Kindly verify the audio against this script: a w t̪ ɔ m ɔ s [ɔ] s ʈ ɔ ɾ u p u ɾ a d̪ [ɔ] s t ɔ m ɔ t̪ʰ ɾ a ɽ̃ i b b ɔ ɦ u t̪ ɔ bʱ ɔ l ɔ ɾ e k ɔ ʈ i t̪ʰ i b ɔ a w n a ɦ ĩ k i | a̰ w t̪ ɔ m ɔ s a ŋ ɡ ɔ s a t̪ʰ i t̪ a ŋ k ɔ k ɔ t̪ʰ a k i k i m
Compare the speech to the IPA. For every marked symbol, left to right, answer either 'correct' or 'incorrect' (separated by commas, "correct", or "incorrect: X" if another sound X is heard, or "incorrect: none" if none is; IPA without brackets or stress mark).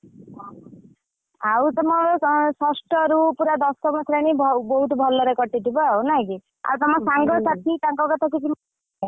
correct, correct